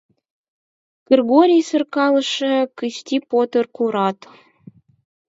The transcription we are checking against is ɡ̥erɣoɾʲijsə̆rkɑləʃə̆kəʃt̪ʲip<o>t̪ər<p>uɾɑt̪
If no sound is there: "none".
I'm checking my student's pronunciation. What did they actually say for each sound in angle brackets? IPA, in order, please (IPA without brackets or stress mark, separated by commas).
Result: o, k